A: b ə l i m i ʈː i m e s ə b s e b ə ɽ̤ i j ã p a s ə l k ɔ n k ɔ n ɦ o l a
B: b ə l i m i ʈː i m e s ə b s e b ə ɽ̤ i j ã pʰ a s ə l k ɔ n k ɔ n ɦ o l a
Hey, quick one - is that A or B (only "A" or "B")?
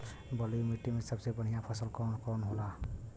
B